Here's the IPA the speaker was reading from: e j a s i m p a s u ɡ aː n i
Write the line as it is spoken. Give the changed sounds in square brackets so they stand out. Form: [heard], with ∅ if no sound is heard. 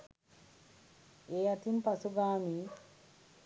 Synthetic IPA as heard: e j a [t] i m p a s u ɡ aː [m] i